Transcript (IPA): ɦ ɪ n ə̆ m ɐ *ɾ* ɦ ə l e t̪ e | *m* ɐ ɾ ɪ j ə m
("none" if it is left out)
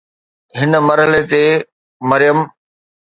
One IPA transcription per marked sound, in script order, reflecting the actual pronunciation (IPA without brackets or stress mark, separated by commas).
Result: ɾ, m